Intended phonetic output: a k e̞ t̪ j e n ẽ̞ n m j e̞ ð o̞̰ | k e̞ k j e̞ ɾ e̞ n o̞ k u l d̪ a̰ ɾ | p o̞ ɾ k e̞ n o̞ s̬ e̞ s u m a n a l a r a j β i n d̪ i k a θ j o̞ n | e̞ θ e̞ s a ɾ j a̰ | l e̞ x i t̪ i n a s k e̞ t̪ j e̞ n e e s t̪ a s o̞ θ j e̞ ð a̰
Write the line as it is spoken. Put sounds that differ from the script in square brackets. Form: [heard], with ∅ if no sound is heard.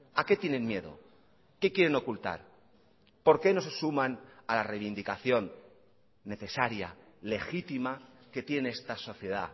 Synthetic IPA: a k e̞ t̪ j e n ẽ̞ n m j e̞ ð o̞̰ | k e̞ k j e̞ ɾ e̞ n o̞ k u l [t̪] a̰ ɾ | p o̞ ɾ k e̞ n o̞ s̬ e̞ s u m a n a l a r [e] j β i n d̪ i k a θ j o̞ [nː] | e̞ θ e̞ s a ɾ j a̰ | l e̞ x i t̪ i [m] a [∅] k e̞ t̪ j e̞ n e e s t̪ a s o̞ θ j e̞ ð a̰